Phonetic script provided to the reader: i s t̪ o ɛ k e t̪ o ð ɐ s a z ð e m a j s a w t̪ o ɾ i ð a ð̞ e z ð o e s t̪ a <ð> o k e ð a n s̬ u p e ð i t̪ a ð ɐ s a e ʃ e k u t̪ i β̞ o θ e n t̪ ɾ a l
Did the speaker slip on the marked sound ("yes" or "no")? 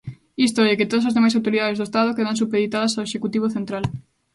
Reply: no